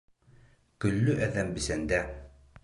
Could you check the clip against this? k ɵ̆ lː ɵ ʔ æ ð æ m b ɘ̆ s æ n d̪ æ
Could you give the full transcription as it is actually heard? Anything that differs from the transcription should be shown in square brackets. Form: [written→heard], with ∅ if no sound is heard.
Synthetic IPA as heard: k ɵ̆ lː ɵ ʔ æ ð æ m b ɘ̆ s æ n d̪ æ